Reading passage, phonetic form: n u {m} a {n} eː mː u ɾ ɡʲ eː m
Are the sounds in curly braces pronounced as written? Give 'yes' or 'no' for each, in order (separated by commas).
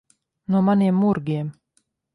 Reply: yes, yes